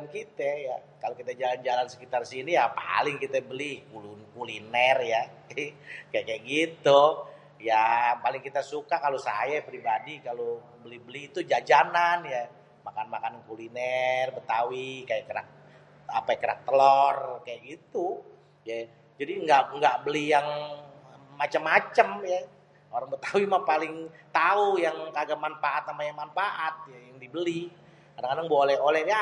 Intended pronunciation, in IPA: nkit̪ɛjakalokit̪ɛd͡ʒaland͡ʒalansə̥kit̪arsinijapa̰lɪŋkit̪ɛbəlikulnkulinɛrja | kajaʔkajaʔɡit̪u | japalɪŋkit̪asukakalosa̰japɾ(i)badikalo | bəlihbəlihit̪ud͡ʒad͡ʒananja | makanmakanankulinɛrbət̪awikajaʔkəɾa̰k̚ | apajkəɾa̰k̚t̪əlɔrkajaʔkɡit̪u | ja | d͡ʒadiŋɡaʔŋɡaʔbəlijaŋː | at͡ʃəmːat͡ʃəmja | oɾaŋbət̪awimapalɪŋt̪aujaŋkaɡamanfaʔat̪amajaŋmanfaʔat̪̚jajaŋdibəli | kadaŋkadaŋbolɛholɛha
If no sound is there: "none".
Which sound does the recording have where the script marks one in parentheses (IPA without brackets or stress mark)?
i